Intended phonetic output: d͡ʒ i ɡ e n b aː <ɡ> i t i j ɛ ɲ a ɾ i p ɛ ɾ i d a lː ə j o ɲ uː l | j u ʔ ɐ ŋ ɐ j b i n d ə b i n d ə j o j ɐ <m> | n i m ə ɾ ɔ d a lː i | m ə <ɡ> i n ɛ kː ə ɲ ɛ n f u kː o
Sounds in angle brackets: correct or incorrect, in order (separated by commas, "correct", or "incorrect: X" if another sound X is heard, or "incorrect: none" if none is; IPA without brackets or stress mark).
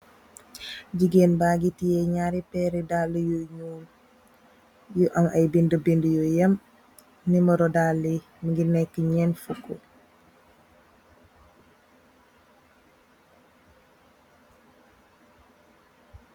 correct, correct, correct